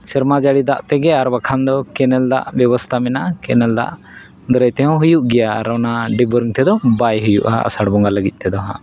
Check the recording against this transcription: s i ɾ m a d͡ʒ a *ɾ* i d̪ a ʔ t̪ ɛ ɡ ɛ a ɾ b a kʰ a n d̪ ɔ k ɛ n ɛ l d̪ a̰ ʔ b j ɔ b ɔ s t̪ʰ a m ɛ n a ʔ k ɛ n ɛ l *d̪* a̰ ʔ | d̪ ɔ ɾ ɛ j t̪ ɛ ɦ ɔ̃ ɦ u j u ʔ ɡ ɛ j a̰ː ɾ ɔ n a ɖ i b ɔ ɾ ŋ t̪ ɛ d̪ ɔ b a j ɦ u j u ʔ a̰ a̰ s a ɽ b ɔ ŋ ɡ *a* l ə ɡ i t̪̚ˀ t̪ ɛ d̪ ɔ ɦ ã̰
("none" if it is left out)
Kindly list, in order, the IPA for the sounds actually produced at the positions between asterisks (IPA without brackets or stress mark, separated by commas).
ɽ, d̪, a